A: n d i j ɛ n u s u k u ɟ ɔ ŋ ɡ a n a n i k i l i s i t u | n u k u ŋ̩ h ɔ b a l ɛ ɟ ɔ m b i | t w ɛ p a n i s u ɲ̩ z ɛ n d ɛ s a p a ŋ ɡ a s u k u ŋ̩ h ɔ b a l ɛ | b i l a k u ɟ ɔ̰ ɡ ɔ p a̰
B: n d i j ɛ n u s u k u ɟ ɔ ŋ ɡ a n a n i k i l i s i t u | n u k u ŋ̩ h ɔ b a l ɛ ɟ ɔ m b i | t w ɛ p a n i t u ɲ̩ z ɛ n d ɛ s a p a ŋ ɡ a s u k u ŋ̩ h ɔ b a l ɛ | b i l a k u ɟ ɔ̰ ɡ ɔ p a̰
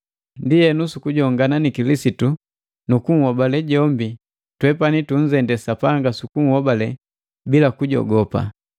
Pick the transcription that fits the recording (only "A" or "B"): B